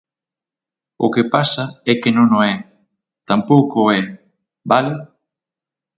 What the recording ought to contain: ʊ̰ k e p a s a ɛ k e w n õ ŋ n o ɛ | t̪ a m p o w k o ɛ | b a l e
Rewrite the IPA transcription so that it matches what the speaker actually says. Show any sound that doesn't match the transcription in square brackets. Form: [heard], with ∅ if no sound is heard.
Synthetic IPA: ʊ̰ k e p a s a ɛ k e [∅] n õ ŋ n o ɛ | t̪ a m p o w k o ɛ | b a l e